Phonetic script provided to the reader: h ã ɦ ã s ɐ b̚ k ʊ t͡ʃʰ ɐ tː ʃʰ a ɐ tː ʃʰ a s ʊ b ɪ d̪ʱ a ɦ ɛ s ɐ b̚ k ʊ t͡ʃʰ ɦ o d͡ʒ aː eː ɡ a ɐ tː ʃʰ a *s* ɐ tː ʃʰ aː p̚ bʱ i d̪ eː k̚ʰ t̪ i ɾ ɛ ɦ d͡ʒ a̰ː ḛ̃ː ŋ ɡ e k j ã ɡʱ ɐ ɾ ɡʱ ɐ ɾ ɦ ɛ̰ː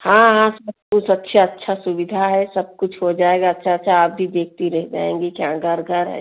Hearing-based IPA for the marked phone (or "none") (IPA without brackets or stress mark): none